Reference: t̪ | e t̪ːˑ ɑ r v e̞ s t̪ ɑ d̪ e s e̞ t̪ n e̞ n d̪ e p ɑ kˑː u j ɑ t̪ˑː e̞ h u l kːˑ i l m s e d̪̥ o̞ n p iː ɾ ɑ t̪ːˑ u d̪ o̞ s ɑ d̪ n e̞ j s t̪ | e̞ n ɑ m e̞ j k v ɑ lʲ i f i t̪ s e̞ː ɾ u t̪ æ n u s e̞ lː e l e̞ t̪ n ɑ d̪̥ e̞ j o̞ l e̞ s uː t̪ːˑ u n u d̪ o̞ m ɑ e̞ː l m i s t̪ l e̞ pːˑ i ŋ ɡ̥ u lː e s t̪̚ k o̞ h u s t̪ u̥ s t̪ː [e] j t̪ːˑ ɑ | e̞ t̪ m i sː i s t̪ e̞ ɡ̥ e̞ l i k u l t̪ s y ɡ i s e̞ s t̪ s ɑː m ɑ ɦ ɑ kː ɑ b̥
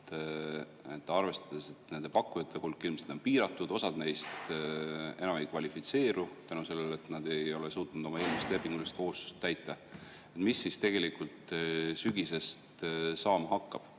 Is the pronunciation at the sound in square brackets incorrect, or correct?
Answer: incorrect